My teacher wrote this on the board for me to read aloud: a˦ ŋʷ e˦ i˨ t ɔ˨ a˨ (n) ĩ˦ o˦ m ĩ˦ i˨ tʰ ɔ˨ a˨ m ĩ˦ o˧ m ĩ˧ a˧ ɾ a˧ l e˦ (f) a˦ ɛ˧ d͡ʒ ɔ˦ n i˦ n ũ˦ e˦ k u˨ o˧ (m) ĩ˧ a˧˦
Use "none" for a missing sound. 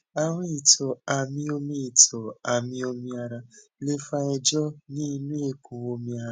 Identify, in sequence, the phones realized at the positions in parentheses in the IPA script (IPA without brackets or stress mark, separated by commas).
m, f, m